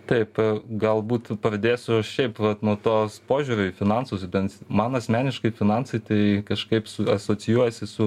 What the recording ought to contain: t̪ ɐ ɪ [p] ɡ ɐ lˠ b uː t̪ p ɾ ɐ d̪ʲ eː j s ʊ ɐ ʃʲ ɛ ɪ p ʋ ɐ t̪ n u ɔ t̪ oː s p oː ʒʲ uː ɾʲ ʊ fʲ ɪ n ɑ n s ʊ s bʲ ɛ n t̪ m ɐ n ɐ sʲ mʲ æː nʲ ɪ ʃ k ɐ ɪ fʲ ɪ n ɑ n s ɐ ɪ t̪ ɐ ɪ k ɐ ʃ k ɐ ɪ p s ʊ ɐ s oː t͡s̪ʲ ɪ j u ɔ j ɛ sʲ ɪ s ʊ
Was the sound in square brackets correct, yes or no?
yes